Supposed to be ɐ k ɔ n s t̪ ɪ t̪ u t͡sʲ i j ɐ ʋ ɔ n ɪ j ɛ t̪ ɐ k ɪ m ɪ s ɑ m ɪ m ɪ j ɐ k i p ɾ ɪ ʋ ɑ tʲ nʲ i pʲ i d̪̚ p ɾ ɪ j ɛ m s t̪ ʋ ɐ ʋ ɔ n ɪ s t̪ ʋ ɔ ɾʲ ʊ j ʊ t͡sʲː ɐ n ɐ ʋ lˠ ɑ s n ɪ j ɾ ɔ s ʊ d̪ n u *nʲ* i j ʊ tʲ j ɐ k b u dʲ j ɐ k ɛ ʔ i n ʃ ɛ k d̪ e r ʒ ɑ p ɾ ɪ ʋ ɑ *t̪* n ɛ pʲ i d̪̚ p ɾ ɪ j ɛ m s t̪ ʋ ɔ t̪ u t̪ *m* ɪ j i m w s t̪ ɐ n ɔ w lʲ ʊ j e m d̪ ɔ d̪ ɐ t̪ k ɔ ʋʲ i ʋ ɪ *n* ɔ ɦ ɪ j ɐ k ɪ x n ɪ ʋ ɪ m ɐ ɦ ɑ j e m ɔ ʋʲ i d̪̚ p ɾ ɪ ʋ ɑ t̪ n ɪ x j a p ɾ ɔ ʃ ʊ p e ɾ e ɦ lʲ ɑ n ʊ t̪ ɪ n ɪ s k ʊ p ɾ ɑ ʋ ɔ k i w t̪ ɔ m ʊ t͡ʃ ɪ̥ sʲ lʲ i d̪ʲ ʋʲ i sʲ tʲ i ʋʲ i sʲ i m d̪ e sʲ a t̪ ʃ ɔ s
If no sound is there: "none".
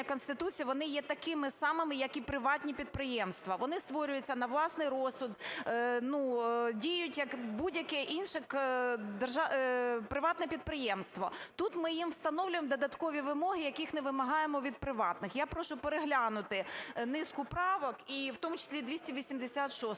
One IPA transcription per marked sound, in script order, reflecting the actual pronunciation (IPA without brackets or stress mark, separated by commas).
dʲ, t̪, m, m